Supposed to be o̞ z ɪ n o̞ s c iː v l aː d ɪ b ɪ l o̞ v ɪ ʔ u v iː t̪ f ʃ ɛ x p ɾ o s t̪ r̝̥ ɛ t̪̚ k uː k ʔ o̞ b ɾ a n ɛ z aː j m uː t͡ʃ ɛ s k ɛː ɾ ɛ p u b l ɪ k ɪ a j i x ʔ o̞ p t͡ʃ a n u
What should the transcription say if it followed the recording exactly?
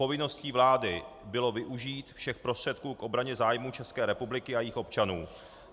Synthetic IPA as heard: o̞ v ɪ n o̞ s c iː v l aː d ɪ b ɪ l o̞ v ɪ ʔ u ʒ iː t̪ f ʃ ɛ x p ɾ o s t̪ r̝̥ ɛ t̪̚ k uː k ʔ o̞ b ɾ a ɲ ɛ z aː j m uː t͡ʃ ɛ s k ɛː ɾ ɛ p u b l ɪ k ɪ a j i x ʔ o̞ p t͡ʃ a n uː